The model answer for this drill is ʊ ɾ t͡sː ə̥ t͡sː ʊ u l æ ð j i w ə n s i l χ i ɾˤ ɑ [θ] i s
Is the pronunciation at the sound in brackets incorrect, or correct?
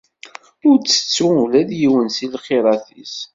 correct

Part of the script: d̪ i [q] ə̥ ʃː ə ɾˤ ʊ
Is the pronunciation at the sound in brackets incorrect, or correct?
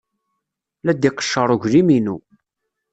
correct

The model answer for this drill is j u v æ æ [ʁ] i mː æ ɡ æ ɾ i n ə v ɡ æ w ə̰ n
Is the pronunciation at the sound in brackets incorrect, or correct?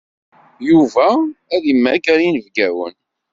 incorrect: ð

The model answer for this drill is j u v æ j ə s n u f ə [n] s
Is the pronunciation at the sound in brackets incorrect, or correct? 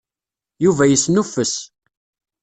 incorrect: none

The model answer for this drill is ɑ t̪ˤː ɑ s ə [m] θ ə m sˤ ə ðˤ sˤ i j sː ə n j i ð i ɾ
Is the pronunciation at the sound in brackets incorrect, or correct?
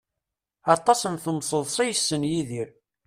incorrect: n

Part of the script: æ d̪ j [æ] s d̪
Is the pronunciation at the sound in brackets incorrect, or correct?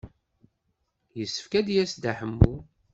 correct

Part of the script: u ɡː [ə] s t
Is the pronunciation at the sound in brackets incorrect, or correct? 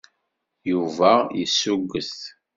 correct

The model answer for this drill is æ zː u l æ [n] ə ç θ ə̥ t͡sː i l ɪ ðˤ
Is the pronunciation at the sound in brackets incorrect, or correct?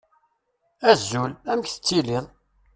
incorrect: m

